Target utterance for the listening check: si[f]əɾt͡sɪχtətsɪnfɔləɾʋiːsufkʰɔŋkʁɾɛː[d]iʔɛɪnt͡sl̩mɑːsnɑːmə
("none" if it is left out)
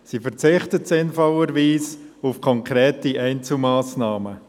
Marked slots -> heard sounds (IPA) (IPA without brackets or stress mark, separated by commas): f, t